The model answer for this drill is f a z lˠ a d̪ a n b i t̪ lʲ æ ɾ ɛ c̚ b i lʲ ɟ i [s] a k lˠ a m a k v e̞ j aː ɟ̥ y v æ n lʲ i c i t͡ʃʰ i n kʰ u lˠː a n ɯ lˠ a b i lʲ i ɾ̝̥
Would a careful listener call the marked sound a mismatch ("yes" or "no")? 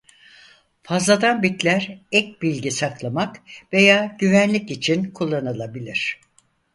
no